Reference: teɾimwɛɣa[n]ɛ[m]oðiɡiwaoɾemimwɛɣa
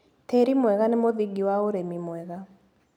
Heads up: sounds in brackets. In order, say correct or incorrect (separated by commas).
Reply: correct, correct